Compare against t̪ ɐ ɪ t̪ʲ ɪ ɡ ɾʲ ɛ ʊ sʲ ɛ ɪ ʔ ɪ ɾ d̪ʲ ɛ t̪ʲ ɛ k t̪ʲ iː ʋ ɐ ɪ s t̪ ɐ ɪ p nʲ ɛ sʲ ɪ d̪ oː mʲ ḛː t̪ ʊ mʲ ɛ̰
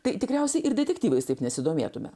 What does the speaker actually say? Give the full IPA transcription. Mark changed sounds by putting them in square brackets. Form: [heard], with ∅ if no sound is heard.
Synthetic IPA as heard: t̪ ɐ ɪ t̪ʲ ɪ [k] ɾʲ ɛ ʊ sʲ ɛ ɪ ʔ ɪ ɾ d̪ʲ ɛ t̪ʲ ɛ k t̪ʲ iː ʋ ɐ ɪ s t̪ ɐ ɪ p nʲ ɛ sʲ ɪ d̪ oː mʲ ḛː t̪ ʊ mʲ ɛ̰